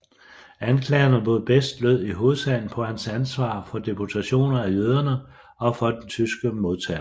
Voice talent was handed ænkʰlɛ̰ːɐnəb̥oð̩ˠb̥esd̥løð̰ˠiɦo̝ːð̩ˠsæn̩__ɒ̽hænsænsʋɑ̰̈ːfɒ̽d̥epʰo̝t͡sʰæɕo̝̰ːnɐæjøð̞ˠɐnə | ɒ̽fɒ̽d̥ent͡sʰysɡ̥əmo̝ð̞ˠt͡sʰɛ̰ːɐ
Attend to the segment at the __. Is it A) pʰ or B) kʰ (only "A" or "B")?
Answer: A